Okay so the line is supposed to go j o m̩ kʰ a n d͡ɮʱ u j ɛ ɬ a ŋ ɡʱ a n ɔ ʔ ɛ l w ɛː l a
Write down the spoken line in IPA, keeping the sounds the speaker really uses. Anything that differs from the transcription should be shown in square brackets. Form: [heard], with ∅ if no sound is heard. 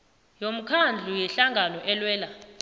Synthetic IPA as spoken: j o m̩ kʰ a n d͡ɮʱ u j ɛ ɬ a ŋ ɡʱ a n ɔ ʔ ɛ l w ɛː l a